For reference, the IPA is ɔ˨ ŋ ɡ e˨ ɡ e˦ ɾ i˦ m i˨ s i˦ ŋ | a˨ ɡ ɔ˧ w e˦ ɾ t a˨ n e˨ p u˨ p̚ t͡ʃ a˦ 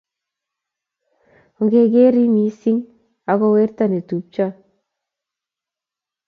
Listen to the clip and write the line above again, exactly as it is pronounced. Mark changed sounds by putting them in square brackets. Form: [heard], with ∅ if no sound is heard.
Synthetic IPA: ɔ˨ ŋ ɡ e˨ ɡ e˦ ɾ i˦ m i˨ s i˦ ŋ | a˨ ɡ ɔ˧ w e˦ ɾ t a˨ n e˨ [t] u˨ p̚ t͡ʃ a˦